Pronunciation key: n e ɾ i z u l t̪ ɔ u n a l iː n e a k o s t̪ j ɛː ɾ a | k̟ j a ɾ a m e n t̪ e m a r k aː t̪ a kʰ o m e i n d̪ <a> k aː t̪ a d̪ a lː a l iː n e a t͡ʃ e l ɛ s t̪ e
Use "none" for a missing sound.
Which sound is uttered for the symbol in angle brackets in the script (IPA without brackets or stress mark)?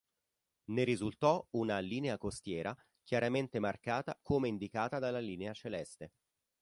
i